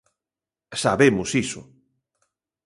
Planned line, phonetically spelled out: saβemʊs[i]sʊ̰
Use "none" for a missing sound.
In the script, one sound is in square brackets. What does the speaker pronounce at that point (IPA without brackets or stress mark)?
i